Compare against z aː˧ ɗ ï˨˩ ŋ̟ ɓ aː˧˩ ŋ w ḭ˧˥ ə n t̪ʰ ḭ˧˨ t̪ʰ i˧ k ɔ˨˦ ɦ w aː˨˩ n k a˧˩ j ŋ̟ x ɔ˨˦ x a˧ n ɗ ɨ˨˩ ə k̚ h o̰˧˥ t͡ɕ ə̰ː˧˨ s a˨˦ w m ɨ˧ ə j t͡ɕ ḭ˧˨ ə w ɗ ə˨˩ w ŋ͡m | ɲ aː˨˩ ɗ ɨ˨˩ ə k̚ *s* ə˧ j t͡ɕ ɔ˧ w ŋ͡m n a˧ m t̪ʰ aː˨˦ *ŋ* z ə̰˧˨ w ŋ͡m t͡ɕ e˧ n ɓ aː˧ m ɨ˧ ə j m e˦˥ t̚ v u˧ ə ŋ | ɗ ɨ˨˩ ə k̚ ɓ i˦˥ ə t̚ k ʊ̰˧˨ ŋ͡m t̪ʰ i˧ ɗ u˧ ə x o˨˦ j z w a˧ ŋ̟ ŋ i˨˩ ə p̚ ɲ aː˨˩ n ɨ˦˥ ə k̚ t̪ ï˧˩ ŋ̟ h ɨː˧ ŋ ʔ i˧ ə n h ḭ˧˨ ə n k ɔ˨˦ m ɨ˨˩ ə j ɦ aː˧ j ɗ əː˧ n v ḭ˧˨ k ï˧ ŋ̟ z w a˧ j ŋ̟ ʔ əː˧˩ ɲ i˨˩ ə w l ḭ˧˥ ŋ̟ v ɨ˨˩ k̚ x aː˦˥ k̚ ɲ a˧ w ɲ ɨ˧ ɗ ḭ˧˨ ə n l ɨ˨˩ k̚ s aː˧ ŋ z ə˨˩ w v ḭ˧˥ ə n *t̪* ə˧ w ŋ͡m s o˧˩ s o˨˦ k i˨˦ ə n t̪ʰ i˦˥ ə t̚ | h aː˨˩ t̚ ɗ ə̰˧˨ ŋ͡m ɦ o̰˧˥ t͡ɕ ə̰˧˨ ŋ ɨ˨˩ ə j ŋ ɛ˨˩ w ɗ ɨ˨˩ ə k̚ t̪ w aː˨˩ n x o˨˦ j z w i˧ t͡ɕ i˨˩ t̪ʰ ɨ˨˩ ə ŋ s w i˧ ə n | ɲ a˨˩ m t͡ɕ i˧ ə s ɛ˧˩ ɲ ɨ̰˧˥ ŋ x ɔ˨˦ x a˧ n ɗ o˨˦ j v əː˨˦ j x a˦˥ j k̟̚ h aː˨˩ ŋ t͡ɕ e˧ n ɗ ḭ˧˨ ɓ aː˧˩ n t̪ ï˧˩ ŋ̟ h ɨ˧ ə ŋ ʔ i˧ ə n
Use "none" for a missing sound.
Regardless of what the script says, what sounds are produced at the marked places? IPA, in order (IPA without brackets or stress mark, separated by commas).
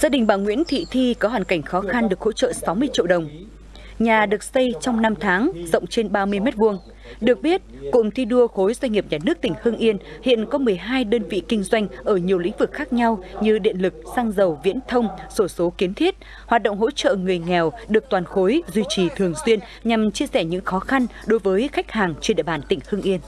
s, ŋ, t̪ʰ